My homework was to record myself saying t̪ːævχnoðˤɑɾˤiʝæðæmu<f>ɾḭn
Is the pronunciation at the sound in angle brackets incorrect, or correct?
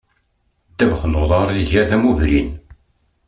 incorrect